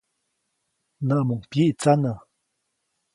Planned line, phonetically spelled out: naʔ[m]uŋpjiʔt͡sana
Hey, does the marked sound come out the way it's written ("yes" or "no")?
yes